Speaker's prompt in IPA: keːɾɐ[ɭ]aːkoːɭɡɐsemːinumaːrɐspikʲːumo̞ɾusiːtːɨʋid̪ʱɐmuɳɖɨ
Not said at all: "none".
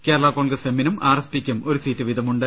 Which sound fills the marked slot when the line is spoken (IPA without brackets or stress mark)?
ɭ